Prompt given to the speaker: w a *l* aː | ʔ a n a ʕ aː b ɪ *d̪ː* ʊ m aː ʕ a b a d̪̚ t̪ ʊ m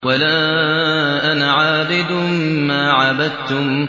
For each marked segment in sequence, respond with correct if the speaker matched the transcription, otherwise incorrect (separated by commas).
correct, incorrect